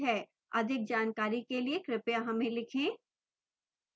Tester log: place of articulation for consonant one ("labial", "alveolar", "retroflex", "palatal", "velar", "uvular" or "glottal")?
glottal